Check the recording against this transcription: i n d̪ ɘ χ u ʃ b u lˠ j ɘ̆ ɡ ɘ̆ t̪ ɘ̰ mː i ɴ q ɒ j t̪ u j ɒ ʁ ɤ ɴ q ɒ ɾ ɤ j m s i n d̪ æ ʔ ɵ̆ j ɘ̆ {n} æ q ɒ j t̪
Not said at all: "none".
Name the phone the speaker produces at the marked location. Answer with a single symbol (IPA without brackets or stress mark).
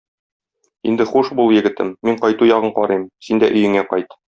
ŋ